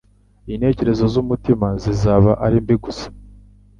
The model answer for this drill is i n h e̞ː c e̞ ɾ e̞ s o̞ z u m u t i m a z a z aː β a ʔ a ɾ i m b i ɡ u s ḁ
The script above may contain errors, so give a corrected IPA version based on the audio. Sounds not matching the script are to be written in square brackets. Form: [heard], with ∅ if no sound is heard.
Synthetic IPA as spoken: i n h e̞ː c e̞ ɾ e̞ [z] o̞ z u m u t i m a z [i] z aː β a ʔ a ɾ i m b i ɡ u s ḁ